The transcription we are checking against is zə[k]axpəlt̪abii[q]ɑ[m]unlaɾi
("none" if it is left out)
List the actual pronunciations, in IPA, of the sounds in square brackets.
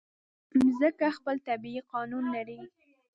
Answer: k, q, n

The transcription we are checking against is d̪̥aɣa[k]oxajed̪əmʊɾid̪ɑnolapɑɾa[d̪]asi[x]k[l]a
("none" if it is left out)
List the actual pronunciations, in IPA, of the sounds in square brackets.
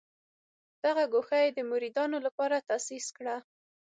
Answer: ɡ, t̪, s, ɽ

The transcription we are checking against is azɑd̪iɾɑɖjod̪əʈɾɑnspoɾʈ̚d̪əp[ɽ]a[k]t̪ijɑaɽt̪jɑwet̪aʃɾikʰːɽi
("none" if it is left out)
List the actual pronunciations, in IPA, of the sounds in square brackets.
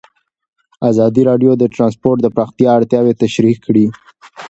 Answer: ɾ, x

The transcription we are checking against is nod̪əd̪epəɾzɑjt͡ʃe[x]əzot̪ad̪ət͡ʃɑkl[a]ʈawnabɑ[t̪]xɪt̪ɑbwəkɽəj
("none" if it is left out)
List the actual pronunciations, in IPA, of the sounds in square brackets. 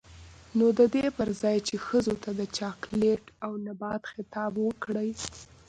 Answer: x, e, t̪

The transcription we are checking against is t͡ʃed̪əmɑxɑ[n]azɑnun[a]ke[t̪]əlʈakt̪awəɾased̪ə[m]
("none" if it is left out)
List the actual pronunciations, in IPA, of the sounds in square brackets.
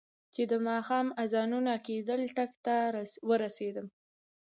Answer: m, a, d̪, m

